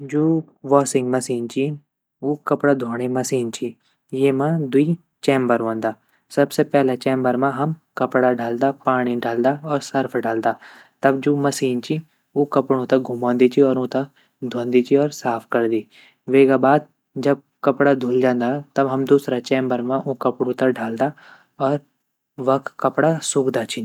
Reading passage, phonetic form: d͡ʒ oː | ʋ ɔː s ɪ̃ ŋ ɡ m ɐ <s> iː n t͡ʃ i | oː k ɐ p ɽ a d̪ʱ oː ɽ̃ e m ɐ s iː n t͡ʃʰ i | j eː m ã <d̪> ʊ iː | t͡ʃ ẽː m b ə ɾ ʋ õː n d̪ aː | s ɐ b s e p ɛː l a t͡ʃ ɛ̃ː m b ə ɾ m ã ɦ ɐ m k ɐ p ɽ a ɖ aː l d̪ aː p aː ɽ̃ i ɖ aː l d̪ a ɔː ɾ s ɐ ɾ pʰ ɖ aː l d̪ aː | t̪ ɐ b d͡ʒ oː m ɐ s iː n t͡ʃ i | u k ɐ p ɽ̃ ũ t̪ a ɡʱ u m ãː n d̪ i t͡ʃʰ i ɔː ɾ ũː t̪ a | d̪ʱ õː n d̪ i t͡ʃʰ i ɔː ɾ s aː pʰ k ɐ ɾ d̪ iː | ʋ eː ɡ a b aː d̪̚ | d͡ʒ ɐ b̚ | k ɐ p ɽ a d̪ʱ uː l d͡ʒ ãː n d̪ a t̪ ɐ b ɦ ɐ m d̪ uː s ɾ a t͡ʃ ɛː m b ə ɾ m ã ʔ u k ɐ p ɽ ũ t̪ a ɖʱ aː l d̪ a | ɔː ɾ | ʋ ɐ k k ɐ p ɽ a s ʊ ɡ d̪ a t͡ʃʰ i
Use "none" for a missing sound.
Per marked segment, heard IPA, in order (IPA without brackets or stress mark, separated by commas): s, d̪